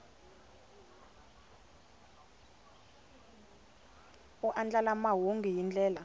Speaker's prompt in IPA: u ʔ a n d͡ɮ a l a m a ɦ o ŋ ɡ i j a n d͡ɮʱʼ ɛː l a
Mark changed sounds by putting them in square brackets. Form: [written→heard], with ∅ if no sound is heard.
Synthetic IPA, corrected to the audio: u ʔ a n d͡ɮ a l a m a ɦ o ŋ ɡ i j [a→i] n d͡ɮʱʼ ɛː l a